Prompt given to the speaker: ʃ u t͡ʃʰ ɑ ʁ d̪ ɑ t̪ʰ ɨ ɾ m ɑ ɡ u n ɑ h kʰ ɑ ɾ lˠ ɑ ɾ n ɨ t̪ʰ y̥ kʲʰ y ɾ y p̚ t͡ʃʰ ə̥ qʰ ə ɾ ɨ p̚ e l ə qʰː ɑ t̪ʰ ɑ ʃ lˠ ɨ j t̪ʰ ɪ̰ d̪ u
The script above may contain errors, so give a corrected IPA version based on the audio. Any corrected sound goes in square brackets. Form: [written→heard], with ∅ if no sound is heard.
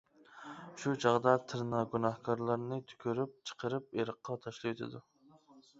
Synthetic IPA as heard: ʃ u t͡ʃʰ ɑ ʁ d̪ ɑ t̪ʰ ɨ ɾ [m→n] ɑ ɡ u n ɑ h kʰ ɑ ɾ lˠ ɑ ɾ n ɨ t̪ʰ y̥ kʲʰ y ɾ y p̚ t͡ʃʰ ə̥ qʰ ə ɾ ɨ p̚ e [l→ɾ] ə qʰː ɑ t̪ʰ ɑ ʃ lˠ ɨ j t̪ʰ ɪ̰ d̪ u